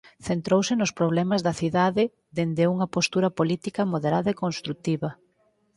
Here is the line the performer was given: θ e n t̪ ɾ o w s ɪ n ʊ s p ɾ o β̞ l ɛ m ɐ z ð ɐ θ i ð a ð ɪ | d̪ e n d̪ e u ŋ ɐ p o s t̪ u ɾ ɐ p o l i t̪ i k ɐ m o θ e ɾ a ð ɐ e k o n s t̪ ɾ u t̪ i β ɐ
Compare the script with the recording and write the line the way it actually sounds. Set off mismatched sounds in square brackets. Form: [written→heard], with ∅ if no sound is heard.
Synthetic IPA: θ e n t̪ ɾ o w s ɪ n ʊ s p ɾ o β̞ l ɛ m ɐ z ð ɐ θ i ð a ð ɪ | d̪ e n d̪ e u ŋ ɐ p o s t̪ u ɾ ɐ p o l i t̪ i k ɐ m o [θ→ð] e ɾ a ð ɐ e k o n s t̪ ɾ u t̪ i β ɐ